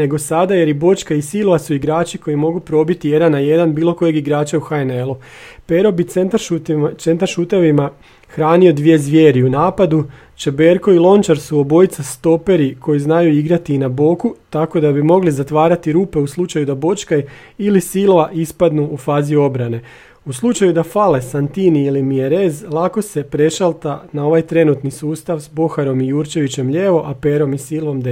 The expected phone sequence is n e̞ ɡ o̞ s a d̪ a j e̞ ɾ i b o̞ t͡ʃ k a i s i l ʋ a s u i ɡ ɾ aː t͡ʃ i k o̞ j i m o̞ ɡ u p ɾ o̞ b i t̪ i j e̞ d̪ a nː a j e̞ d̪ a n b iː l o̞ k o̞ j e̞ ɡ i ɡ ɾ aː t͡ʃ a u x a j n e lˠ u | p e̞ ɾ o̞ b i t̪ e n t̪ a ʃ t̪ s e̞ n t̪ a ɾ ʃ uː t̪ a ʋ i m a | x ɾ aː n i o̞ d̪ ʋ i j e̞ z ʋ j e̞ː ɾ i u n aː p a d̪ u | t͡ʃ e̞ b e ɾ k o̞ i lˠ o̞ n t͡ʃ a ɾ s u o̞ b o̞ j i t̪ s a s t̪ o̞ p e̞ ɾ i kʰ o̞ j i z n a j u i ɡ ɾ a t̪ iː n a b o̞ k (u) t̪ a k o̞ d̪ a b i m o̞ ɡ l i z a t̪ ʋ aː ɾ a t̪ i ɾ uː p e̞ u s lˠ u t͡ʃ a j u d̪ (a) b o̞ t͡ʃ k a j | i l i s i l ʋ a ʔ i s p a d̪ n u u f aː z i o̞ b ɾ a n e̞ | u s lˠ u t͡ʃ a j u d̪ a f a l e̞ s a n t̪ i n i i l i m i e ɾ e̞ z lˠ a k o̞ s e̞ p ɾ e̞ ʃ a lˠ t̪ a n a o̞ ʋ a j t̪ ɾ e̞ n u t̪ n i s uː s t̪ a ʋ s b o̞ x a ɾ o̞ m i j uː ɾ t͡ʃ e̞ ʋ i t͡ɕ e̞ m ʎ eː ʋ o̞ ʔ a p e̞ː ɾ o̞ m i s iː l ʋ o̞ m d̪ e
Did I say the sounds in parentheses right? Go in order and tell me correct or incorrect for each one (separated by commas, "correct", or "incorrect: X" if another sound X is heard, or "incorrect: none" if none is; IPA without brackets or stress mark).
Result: correct, correct